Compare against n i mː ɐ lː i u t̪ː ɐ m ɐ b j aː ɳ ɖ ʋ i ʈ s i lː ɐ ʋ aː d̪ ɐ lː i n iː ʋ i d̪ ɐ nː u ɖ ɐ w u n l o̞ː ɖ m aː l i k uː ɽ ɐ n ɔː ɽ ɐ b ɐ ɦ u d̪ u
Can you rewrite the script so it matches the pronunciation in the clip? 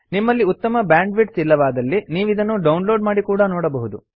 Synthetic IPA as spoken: n i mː ɐ lː i u t̪ː ɐ m ɐ b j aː ɳ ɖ ʋ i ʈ s i lː ɐ ʋ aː d̪ ɐ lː i n iː ʋ i d̪ ɐ nː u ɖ ɐ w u n l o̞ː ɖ m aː ɽ i k uː ɽ ɐ n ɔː ɽ ɐ b ɐ ɦ u d̪ u

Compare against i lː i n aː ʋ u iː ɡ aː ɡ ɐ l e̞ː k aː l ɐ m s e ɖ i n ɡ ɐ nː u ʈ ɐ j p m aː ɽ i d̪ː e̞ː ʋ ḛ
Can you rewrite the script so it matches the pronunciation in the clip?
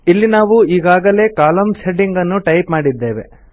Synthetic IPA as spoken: i lː i n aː ʋ u iː ɡ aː ɡ ɐ l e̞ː k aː l ɐ m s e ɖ i ŋ ɡ ɐ nː u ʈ ɐ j p m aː ɽ i d̪ː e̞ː ʋ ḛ

